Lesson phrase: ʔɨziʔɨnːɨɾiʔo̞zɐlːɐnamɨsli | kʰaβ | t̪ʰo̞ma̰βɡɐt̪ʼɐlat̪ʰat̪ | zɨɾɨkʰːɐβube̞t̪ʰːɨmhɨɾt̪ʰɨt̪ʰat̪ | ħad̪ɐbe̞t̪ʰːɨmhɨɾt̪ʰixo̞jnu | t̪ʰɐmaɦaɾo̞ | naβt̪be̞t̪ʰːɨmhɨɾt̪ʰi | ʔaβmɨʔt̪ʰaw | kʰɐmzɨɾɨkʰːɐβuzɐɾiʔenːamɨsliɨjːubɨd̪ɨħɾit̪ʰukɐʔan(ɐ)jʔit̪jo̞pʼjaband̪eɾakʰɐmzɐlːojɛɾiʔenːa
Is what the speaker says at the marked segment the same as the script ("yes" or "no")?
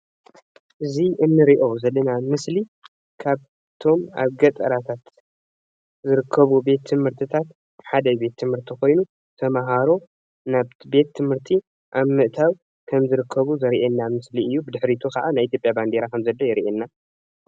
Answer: no